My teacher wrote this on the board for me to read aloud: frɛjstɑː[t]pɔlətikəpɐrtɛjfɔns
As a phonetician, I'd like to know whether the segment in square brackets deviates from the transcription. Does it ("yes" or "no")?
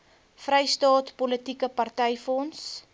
no